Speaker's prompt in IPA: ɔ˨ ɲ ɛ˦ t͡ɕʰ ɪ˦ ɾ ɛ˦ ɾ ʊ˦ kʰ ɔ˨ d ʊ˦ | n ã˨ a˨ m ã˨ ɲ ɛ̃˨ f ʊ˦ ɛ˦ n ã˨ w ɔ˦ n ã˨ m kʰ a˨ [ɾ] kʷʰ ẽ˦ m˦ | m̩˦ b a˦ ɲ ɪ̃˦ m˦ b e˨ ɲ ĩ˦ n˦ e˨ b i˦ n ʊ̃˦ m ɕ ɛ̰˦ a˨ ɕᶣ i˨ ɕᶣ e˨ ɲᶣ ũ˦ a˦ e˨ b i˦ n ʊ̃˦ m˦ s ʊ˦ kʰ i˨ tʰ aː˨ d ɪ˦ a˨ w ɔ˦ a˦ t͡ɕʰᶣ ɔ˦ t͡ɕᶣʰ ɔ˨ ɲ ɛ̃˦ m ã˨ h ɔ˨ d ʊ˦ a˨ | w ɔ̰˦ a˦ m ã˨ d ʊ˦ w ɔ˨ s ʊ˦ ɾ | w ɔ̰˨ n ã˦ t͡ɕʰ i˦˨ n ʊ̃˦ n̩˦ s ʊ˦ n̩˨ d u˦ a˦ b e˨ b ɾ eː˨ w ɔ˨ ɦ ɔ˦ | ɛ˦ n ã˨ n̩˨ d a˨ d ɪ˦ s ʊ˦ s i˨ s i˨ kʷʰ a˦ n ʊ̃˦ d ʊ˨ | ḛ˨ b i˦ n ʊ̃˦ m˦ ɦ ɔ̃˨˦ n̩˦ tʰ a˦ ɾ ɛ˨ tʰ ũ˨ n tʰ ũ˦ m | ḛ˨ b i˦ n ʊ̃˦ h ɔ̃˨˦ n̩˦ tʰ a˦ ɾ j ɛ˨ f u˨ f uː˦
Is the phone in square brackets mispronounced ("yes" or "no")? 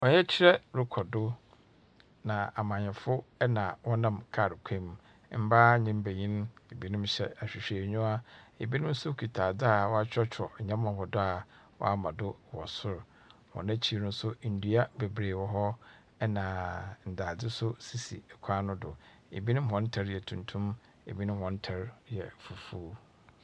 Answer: no